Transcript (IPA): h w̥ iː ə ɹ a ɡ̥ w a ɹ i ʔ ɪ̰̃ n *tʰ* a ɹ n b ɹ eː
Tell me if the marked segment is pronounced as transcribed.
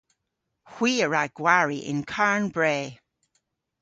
no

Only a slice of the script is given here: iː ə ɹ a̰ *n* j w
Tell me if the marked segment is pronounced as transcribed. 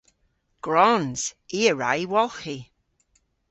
no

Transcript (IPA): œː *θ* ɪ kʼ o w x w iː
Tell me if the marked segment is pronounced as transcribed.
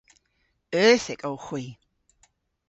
yes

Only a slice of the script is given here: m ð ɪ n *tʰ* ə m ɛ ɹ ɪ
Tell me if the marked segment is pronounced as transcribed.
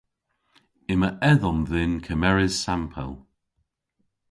no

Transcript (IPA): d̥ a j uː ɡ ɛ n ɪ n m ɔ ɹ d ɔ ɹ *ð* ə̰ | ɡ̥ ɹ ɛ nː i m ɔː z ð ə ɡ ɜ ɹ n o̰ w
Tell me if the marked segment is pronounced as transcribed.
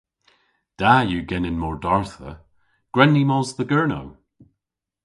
no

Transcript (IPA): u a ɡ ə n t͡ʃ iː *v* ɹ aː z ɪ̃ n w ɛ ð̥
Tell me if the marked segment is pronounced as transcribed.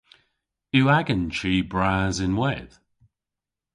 no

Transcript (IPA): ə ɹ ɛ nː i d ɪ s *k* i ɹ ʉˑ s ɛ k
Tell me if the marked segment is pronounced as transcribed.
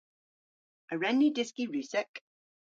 yes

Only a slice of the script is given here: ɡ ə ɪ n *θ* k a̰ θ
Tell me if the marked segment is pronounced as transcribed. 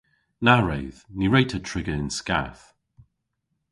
no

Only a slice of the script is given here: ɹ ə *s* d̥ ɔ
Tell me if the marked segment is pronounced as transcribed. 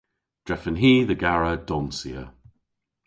no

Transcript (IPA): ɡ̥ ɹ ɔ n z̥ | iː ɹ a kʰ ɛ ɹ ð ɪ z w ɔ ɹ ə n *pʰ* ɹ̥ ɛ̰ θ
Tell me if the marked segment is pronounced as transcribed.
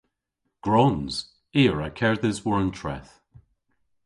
no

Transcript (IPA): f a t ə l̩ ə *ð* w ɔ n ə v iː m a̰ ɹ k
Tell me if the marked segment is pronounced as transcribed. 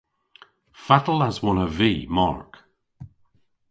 no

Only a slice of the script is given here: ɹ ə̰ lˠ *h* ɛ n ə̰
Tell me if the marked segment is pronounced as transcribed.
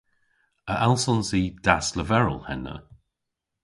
yes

